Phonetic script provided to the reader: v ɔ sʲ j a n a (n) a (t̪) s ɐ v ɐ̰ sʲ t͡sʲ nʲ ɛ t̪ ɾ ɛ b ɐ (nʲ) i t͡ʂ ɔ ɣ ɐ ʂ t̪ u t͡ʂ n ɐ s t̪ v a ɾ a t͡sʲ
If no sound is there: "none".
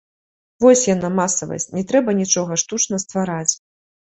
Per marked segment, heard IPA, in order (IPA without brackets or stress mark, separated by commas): m, none, nʲ